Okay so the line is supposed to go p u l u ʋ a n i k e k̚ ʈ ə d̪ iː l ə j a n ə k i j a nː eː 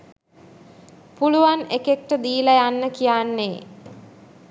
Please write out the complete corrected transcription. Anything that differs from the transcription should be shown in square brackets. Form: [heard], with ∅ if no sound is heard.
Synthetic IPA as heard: p u l u ʋ a n [e] k e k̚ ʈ ə d̪ iː l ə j a [nː] ə k i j a nː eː